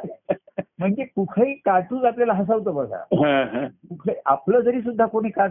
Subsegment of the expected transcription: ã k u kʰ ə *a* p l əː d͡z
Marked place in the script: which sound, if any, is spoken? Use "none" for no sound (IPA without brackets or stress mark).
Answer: a